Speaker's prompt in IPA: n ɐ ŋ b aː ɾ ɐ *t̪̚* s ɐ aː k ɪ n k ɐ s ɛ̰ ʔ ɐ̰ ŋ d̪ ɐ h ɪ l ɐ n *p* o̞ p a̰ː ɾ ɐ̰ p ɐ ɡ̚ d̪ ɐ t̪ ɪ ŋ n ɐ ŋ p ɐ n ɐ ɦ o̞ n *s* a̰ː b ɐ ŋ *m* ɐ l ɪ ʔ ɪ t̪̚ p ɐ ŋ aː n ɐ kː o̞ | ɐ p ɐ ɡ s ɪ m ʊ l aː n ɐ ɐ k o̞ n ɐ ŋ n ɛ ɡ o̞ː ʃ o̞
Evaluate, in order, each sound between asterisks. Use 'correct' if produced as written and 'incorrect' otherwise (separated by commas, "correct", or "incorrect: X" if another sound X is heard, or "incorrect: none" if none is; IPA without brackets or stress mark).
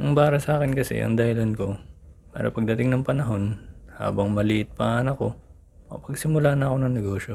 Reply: incorrect: none, incorrect: k, incorrect: h, correct